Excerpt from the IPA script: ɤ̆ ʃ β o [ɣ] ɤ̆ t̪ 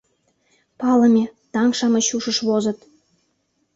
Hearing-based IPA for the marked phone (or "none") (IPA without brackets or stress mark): z